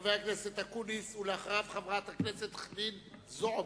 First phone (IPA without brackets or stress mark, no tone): v